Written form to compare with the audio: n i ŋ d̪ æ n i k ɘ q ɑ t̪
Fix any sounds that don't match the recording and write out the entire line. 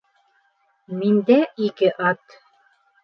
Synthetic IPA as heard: m i n d̪ æ i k ɘ ʔ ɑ t̪